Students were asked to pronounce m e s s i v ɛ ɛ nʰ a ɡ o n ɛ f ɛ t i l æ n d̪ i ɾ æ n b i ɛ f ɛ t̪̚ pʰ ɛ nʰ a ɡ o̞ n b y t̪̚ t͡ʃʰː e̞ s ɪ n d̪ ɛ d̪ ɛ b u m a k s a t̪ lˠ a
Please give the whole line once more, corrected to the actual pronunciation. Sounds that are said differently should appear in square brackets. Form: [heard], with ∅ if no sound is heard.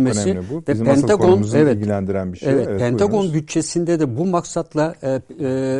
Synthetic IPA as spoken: m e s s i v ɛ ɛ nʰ a ɡ o n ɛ [v] ɛ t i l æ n d̪ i ɾ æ n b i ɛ [v] ɛ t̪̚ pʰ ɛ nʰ a ɡ o̞ n b y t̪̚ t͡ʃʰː e̞ s [i] n d̪ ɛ d̪ ɛ b u m a k s a t̪ lˠ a